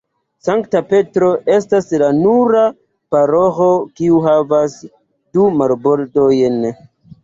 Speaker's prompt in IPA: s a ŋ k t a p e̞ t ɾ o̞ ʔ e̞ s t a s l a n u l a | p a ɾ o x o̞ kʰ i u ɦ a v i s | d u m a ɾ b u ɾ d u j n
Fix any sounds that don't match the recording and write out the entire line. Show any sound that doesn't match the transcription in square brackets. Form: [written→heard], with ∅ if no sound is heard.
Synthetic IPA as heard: s a ŋ k t a p e̞ t ɾ o̞ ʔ e̞ s t a s l a n u [l→ɾ] a | p a ɾ o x o̞ [kʰ→k] i u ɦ a v [i→a] s | d u m a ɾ b [u→o] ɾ d [u→o] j n